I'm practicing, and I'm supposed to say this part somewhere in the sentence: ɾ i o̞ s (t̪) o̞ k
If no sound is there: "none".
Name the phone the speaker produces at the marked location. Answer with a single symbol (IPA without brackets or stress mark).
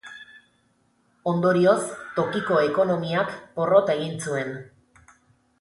t̪